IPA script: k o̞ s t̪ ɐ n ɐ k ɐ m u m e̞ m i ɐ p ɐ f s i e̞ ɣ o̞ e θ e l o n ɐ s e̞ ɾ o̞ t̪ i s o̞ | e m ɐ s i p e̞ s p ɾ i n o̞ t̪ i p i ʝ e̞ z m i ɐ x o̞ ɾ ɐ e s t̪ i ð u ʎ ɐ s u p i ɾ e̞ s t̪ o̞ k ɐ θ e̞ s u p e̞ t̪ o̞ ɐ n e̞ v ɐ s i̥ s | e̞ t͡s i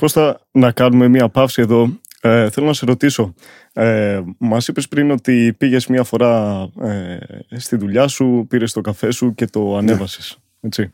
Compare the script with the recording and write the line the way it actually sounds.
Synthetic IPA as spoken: k o̞ s t̪ ɐ n ɐ k ɐ n u m e̞ m i ɐ p ɐ f s i e̞ ð o̞ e θ e l o n ɐ s e̞ ɾ o̞ t̪ i s o̞ | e m ɐ s i p e̞ s p ɾ i n o̞ t̪ i p i ʝ e̞ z m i ɐ f o̞ ɾ ɐ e s t̪ i ð u ʎ ɐ s u p i ɾ e̞ s t̪ o̞ k ɐ f e̞ s u c e̞ t̪ o̞ ɐ n e̞ v ɐ s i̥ s | e̞ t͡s i